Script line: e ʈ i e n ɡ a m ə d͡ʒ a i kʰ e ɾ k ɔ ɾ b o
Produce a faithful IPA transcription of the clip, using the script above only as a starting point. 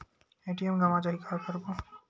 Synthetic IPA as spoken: e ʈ i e m ɡ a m a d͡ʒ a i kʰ a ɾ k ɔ ɾ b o